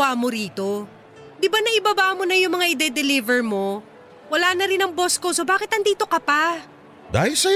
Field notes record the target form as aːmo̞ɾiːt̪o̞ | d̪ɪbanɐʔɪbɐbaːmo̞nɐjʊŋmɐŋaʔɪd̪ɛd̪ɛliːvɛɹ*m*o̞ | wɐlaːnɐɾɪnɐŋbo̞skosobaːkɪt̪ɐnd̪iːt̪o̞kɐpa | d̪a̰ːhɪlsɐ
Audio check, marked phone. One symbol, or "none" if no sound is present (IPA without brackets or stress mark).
m